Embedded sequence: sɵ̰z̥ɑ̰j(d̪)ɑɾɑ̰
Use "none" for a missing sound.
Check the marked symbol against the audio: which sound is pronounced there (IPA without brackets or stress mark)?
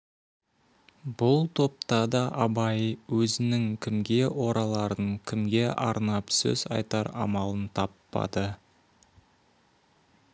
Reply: t̪